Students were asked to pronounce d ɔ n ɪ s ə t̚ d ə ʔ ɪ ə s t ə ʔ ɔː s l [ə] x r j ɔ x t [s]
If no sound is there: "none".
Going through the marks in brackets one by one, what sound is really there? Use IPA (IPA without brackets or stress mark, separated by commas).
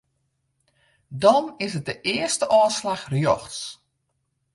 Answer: a, s